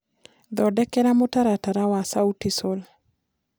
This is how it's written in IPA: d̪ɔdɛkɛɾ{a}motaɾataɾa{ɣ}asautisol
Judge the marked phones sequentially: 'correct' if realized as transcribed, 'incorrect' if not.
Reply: correct, incorrect: w

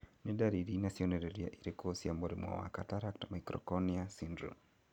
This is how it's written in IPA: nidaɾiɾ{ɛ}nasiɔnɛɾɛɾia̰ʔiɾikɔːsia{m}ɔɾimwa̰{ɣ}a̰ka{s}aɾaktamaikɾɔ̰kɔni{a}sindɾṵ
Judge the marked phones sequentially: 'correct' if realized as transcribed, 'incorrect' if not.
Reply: incorrect: i, correct, incorrect: w, incorrect: t, correct

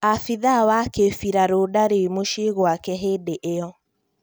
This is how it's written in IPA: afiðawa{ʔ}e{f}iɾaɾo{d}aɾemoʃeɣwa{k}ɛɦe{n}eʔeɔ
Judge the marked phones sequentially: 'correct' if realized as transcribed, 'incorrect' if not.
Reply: incorrect: k, correct, correct, correct, incorrect: d

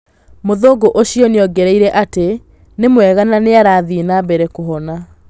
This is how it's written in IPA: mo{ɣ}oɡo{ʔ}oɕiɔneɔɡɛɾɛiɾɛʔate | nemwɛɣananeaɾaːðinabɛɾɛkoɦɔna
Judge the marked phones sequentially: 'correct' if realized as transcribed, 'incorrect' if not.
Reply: incorrect: ð, correct

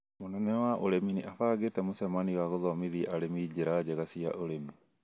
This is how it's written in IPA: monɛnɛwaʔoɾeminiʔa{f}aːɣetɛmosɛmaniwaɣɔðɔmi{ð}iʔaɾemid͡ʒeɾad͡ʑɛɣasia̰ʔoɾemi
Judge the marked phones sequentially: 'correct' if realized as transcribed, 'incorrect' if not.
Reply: correct, correct

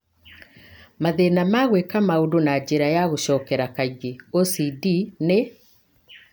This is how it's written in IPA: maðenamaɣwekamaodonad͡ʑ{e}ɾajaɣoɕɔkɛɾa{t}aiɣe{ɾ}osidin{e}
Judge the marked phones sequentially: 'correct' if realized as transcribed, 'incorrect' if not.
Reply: correct, incorrect: k, incorrect: none, correct

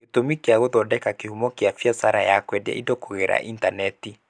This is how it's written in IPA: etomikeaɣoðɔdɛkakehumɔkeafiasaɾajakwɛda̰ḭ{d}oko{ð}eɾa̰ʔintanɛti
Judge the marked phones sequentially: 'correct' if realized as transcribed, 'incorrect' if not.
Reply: correct, incorrect: ɣ

